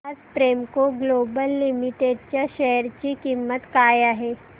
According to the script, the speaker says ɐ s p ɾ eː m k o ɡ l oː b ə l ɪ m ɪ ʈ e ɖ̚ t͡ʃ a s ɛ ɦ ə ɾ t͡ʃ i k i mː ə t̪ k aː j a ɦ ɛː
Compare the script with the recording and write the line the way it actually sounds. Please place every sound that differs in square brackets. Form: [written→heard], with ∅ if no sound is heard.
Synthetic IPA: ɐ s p ɾ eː m k o ɡ l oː b ə [l→lː] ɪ m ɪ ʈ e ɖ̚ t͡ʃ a [s→ʃ] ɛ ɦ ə ɾ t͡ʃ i k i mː ə t̪ k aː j a ɦ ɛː